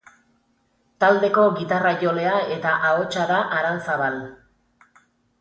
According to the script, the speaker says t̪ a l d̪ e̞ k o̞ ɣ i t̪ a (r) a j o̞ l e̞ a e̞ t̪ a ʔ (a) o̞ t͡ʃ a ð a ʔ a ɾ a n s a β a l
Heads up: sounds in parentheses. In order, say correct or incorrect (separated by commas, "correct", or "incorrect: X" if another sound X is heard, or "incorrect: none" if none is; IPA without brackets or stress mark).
correct, correct